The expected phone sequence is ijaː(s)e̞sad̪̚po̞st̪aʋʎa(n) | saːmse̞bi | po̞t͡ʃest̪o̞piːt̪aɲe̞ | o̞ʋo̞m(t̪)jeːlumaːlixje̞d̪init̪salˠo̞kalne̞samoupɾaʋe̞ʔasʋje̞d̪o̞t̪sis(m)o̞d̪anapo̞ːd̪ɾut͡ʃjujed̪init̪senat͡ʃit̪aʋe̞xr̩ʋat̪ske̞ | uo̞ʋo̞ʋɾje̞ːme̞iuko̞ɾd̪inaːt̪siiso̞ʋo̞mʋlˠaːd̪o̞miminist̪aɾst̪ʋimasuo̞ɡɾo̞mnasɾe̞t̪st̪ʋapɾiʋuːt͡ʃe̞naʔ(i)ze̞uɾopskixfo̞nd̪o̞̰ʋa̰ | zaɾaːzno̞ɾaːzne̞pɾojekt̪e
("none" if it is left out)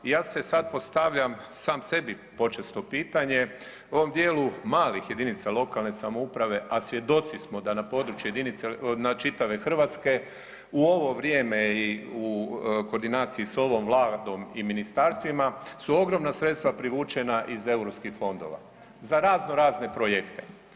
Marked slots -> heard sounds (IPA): s, m, d̪, m, i

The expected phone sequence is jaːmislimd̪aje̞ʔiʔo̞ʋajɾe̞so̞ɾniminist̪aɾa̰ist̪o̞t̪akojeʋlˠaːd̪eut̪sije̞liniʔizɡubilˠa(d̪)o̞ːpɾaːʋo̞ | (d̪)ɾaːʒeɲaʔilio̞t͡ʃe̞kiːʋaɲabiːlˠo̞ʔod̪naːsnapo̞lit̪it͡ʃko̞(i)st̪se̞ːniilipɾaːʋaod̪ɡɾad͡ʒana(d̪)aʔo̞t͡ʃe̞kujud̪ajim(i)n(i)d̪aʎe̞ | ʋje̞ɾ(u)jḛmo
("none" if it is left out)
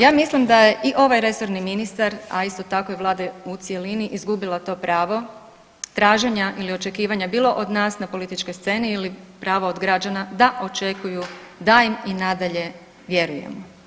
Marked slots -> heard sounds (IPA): t̪, t̪, j, d̪, i, a, u

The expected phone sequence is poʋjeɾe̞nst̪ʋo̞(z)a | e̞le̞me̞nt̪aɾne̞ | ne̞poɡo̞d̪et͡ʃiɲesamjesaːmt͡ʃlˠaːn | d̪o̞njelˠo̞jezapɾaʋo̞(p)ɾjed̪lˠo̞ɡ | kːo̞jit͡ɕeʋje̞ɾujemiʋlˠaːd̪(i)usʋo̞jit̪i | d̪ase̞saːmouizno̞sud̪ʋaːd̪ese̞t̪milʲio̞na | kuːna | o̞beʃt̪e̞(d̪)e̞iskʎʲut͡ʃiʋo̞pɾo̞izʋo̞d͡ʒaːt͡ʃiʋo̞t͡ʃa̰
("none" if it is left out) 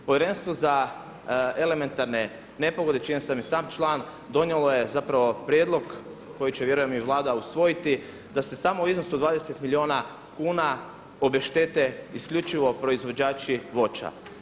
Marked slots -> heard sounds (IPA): z, p, a, t̪

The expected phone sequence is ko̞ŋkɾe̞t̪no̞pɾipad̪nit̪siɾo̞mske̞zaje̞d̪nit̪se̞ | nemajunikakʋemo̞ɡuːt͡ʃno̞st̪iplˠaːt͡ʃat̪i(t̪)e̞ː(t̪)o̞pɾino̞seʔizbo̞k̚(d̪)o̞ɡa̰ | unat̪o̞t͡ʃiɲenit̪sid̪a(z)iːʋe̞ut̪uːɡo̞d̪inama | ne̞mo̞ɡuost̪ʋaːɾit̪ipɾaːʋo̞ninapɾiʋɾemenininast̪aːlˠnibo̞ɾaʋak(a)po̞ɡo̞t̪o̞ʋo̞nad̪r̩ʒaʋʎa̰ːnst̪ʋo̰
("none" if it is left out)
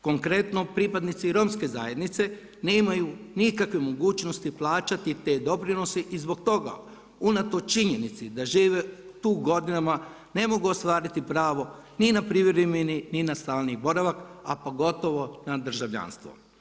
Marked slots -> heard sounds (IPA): t̪, d̪, t̪, ʒ, a

